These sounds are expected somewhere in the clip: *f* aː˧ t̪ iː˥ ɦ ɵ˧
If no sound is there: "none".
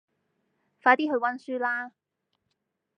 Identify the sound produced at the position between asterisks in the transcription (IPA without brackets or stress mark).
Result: f